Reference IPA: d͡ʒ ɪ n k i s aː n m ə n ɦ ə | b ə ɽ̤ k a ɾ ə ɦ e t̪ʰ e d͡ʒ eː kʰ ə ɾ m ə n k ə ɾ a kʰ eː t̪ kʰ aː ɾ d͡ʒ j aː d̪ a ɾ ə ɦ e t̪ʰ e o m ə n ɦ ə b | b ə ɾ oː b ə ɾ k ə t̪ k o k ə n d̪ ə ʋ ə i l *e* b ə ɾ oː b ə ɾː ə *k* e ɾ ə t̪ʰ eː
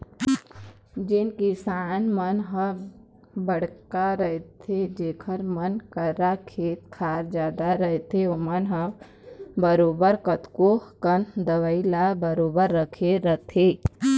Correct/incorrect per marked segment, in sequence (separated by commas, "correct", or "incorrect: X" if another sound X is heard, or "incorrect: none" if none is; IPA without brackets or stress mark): incorrect: a, incorrect: kʰ